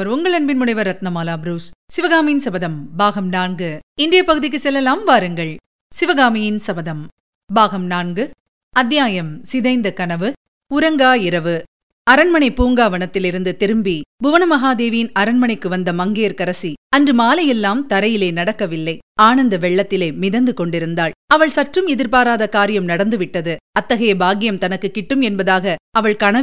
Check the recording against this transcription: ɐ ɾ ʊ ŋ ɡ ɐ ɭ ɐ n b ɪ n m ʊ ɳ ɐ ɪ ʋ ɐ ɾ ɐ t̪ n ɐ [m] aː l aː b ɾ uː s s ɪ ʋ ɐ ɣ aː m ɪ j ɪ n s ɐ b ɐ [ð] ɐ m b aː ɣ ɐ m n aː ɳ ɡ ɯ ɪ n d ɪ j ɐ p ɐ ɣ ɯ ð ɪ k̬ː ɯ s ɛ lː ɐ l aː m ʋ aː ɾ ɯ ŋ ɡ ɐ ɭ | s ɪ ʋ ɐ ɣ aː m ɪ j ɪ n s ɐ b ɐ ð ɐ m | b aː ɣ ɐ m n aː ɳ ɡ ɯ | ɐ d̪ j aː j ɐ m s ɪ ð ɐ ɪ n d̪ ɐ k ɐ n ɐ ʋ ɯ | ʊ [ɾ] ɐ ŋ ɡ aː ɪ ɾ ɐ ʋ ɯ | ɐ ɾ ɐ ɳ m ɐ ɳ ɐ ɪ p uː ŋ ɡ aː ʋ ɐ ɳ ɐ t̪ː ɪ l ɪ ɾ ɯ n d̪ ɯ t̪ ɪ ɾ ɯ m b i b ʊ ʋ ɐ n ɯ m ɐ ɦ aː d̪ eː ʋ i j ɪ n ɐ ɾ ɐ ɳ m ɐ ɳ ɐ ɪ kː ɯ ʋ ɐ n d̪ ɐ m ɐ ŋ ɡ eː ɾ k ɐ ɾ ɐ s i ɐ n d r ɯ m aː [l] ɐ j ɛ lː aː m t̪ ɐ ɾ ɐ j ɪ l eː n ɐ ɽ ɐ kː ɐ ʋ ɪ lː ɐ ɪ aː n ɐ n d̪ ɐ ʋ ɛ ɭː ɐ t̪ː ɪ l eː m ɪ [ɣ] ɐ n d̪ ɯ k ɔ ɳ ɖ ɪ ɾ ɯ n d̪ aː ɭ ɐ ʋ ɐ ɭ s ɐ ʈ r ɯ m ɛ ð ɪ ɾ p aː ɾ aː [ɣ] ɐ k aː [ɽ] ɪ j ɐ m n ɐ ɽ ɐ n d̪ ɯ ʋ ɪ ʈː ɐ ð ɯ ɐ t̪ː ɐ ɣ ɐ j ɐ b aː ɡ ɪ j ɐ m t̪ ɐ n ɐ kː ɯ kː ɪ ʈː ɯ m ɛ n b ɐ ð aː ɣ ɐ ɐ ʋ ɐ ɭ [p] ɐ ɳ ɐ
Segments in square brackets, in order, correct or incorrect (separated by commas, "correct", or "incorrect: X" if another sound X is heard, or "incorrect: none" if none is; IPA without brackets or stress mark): correct, correct, correct, correct, incorrect: ð, incorrect: ð, incorrect: ɾ, incorrect: k